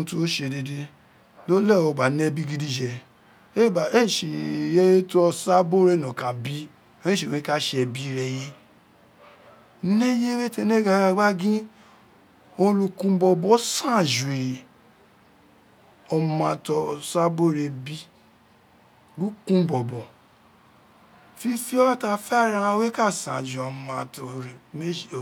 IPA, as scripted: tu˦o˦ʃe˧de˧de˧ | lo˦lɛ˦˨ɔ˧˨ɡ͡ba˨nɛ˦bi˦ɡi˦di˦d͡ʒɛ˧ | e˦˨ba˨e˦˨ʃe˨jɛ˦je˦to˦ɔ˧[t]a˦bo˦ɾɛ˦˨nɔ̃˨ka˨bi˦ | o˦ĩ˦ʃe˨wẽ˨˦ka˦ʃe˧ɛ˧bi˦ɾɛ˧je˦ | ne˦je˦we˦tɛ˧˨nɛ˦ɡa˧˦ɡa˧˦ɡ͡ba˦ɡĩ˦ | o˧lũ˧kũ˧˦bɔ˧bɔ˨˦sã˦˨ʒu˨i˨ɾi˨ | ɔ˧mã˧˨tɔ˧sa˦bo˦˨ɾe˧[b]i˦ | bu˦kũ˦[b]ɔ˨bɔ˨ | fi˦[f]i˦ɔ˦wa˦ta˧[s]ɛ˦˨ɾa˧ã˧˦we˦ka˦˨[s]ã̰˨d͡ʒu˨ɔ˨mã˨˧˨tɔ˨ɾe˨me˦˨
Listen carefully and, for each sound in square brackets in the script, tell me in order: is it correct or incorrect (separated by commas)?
incorrect, correct, correct, correct, incorrect, correct